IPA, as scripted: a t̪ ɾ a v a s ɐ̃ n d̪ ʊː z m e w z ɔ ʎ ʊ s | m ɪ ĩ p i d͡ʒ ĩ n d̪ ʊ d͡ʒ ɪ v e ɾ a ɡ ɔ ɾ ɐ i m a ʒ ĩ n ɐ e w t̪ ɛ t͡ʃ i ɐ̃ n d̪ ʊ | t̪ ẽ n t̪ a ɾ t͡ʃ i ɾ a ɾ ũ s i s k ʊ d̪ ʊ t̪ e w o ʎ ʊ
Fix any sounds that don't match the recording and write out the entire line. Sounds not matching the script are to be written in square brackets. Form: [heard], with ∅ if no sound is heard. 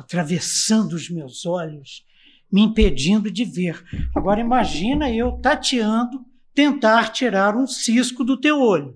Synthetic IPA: a t̪ ɾ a v [e] s ɐ̃ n d̪ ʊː z m e w z ɔ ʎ ʊ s | m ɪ ĩ p [e] d͡ʒ ĩ n d̪ ʊ d͡ʒ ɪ v e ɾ a ɡ ɔ ɾ ɐ i m a ʒ ĩ n ɐ e w t̪ [a] t͡ʃ i ɐ̃ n d̪ ʊ | t̪ ẽ n t̪ a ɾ t͡ʃ i ɾ a ɾ ũ s i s k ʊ d̪ ʊ t̪ e w o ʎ ʊ